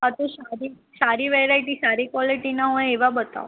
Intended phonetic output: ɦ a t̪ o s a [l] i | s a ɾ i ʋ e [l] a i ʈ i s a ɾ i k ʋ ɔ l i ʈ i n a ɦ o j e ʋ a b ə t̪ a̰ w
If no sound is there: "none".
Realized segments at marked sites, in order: ɾ, ɾ

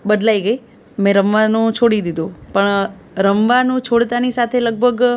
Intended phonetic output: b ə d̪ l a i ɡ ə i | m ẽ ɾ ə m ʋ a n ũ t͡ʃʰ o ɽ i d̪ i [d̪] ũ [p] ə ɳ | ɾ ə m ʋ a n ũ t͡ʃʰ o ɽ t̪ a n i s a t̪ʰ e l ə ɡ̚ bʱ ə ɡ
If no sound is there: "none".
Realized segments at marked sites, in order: d̪, p

